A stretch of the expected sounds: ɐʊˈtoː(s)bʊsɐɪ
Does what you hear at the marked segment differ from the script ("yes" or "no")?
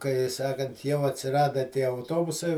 yes